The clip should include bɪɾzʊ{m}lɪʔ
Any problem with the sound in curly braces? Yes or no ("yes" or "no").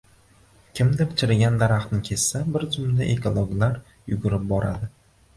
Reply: no